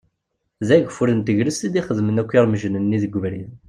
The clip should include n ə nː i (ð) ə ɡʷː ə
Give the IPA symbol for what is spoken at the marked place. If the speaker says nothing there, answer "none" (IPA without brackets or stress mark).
ð